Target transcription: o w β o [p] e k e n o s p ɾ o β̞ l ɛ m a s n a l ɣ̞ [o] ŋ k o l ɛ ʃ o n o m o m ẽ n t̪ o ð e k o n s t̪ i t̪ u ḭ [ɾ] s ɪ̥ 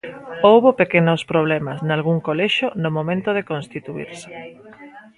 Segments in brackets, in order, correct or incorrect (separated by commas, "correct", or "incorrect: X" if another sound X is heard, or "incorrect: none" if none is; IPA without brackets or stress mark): correct, incorrect: u, correct